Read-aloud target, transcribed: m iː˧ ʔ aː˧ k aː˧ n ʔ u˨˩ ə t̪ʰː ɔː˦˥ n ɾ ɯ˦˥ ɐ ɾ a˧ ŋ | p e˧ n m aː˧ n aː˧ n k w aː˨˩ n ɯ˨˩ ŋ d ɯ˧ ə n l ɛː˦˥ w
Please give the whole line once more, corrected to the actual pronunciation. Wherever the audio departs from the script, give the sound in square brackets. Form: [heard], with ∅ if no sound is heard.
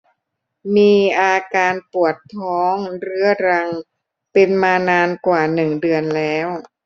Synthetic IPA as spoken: m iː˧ ʔ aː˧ k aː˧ n [p] u˨˩ ə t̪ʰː ɔː˦˥ [ŋ] ɾ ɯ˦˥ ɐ ɾ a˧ ŋ | p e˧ n m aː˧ n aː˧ n k w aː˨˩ n ɯ˨˩ ŋ d ɯ˧ ə n l ɛː˦˥ w